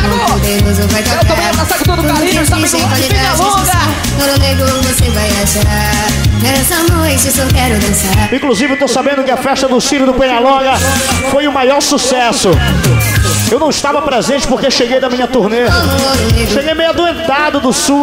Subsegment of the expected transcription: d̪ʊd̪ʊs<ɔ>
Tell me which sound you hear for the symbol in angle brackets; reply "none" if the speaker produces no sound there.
u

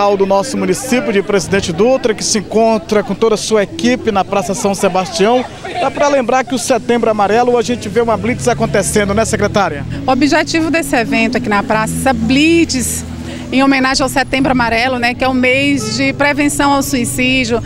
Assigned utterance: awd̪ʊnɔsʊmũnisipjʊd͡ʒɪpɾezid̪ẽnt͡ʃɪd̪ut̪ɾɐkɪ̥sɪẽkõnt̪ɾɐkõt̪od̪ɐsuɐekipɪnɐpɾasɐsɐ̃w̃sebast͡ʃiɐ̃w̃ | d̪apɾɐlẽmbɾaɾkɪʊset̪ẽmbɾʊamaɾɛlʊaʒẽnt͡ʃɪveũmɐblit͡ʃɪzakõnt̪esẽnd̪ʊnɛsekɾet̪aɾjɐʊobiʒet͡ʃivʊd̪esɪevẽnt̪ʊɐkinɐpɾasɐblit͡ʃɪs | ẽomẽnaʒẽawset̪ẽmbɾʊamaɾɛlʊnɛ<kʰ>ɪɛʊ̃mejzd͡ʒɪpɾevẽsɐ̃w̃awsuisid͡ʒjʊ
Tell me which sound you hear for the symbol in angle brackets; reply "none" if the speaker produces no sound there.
k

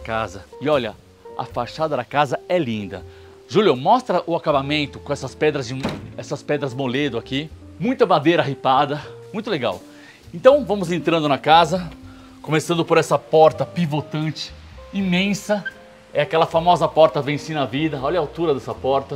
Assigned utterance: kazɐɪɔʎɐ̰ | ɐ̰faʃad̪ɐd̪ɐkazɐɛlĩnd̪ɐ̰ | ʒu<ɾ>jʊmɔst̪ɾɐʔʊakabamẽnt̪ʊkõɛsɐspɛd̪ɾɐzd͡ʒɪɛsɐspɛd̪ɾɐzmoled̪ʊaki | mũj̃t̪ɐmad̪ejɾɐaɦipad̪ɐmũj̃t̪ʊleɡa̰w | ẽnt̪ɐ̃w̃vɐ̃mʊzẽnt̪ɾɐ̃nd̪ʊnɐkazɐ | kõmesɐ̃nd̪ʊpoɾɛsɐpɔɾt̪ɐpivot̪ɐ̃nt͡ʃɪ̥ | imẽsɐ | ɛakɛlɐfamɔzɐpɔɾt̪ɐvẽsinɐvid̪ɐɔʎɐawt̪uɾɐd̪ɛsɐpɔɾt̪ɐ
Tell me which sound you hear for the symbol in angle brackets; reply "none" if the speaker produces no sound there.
l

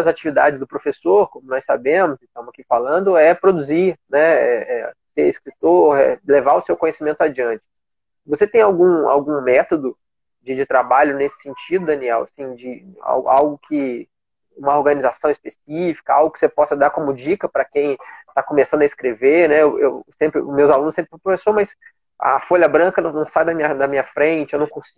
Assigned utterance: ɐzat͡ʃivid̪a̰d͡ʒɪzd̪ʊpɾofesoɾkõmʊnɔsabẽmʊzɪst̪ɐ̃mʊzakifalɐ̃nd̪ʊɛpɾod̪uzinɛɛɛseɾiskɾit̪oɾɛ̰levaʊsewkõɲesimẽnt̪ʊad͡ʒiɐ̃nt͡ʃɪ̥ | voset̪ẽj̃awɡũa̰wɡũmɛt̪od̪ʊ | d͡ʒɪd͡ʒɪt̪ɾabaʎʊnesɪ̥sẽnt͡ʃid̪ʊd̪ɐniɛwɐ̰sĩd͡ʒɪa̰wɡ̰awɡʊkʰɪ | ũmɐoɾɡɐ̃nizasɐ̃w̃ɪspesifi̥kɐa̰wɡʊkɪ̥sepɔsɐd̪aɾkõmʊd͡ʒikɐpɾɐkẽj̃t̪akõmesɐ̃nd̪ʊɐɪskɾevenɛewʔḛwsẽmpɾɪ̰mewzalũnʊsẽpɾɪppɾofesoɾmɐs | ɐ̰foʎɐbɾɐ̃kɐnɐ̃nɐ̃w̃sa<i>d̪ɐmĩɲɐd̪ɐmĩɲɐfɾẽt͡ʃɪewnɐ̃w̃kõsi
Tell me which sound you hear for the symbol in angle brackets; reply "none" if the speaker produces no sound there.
j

